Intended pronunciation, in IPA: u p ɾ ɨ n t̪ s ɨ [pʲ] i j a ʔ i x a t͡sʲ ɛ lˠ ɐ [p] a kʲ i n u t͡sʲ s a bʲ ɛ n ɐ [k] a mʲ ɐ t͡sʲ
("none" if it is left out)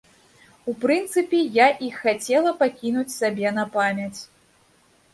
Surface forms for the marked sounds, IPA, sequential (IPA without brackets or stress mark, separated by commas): pʲ, p, p